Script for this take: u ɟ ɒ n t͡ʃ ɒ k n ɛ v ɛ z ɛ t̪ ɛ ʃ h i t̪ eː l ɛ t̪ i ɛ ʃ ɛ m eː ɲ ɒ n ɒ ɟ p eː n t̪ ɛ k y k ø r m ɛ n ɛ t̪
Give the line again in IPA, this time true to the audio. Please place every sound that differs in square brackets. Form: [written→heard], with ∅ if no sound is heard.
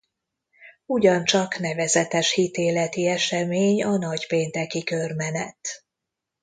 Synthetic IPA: u ɟ ɒ n t͡ʃ ɒ k n ɛ v ɛ z ɛ t̪ ɛ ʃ h i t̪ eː l ɛ t̪ i ɛ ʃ ɛ m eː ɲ ɒ n ɒ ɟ p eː n t̪ ɛ k [y→i] k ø r m ɛ n ɛ t̪